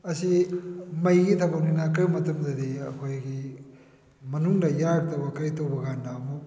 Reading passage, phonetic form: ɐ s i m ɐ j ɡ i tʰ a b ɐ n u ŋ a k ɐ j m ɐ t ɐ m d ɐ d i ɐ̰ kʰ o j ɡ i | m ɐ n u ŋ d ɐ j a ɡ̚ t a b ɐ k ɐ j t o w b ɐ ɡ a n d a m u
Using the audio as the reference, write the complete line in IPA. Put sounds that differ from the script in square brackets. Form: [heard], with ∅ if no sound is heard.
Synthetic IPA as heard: ɐ s i m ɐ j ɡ i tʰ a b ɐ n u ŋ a k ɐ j m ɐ t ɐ m d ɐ d i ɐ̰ kʰ o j ɡ i | m ɐ n u ŋ d ɐ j a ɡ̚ t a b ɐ k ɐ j t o w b ɐ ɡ a n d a m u